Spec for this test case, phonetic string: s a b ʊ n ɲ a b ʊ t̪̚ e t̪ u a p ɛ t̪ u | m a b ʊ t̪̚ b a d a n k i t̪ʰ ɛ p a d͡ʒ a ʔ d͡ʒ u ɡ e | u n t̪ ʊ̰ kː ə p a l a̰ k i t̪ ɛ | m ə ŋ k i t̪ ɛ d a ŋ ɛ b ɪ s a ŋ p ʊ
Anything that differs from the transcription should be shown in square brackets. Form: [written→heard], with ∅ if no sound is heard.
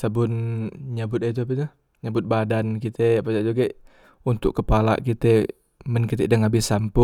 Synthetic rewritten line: s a b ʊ n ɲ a b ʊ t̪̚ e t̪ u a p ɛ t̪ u | [m→ɲ] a b ʊ t̪̚ b a d a n k i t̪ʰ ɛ p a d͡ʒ a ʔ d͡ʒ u ɡ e | u n t̪ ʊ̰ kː ə p a l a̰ k i t̪ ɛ | m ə [ŋ→n] k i t̪ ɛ d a ŋ [ɛ→a] b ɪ s a [ŋ→m] p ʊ